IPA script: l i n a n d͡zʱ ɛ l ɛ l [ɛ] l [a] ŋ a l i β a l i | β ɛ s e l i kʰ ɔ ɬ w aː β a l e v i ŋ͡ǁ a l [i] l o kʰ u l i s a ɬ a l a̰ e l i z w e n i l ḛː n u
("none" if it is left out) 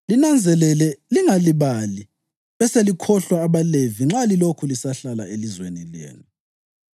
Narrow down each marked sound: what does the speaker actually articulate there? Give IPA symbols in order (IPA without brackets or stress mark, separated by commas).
ɛ, i, i